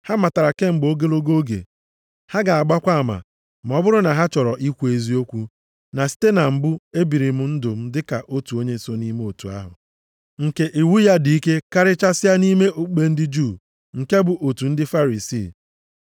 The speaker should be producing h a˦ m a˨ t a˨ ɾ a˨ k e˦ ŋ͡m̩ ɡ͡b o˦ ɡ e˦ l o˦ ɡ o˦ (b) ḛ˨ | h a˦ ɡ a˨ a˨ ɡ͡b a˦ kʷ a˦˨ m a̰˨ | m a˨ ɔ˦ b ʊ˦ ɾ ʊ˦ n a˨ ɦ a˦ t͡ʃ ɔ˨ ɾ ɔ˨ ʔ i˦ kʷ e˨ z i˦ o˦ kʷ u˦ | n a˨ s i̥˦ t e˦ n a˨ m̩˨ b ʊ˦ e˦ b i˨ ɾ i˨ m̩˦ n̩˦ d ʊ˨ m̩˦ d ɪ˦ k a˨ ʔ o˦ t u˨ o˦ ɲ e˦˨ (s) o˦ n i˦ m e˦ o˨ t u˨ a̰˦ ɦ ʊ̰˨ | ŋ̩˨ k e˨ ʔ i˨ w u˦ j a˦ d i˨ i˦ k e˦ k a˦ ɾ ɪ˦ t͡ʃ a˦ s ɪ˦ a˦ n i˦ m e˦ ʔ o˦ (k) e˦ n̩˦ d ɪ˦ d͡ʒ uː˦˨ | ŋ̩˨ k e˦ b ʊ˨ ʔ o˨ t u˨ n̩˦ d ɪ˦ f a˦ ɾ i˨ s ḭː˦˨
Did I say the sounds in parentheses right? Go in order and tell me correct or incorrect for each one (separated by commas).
incorrect, correct, incorrect